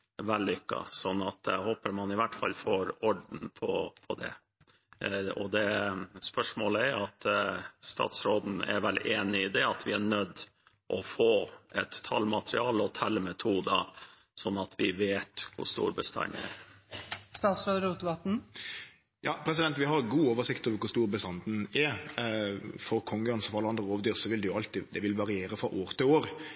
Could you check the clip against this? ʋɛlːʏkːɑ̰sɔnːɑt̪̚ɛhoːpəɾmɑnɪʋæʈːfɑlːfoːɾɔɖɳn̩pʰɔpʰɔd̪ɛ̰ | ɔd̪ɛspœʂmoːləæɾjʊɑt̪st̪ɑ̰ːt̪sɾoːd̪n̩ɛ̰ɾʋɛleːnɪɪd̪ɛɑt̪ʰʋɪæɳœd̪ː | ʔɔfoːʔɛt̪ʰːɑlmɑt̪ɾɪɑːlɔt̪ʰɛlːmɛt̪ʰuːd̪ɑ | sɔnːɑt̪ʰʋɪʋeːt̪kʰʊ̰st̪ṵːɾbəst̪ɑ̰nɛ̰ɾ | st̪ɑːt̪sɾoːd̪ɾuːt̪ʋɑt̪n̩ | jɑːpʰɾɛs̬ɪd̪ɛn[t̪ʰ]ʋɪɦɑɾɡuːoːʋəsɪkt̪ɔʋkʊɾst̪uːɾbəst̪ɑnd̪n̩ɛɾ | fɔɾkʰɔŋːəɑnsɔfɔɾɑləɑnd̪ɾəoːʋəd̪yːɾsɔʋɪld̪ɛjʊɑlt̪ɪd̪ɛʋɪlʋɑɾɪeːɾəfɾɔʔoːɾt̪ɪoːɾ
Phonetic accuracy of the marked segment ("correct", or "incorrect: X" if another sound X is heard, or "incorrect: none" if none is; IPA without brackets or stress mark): incorrect: t̪